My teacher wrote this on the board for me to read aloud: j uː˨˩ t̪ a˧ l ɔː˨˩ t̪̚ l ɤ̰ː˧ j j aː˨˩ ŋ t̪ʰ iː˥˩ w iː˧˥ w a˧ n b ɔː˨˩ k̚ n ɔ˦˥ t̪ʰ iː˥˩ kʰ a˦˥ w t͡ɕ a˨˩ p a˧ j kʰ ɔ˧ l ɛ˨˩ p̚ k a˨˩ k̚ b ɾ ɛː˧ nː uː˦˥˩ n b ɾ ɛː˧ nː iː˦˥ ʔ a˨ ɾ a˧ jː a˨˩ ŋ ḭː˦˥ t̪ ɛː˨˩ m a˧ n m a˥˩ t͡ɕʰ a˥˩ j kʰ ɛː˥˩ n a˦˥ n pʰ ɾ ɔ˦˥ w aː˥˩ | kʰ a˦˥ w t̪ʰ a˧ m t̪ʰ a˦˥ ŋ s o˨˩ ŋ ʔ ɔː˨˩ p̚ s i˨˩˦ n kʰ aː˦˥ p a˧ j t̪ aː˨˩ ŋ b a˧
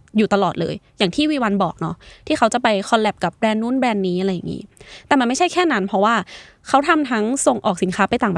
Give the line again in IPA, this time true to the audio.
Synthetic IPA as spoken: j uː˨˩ t̪ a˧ l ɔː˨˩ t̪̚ l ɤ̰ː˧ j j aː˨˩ ŋ t̪ʰ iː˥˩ w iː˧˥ w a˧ n b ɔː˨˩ k̚ n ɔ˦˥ t̪ʰ iː˥˩ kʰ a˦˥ w t͡ɕ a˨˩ p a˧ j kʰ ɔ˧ l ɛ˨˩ p̚ k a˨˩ p̚ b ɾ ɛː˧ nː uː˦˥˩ n b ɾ ɛː˧ nː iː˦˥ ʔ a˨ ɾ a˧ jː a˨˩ ŋ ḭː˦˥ t̪ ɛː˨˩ m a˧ n m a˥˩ t͡ɕʰ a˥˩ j kʰ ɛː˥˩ n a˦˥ n pʰ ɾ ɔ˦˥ w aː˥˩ | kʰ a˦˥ w t̪ʰ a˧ m t̪ʰ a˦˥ ŋ s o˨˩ ŋ ʔ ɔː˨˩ k̚ s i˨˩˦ n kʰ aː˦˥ p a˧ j t̪ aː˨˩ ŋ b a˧